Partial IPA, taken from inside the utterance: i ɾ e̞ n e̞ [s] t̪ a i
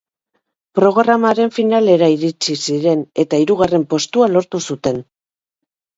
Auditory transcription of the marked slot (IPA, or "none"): none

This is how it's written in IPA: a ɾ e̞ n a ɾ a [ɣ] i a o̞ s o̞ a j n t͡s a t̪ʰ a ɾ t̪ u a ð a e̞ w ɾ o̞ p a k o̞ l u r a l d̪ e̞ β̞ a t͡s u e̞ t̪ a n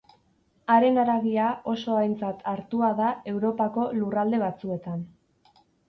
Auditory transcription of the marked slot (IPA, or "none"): ɣ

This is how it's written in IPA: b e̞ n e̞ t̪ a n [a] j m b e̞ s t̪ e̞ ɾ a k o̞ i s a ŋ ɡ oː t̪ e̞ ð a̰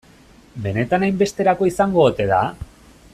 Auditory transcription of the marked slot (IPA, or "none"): a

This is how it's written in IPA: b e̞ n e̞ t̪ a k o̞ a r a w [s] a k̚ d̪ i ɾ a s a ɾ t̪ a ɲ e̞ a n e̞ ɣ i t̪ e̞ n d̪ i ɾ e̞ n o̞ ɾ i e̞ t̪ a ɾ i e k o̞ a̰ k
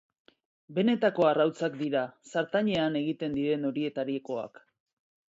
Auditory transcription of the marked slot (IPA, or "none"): t͡s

